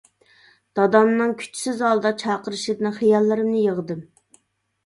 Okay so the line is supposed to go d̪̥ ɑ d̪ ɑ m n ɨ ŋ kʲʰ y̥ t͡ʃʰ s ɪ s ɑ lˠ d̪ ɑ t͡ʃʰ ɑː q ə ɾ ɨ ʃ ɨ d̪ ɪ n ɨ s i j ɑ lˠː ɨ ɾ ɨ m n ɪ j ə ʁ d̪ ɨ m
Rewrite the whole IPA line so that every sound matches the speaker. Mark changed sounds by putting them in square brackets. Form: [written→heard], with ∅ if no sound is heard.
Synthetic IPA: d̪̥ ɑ d̪ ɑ m n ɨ ŋ kʲʰ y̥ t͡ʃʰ s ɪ [s→z] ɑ lˠ d̪ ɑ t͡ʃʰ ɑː q ə ɾ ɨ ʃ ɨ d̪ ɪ n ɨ [s→χ] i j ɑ lˠː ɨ ɾ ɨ m n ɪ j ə ʁ d̪ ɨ m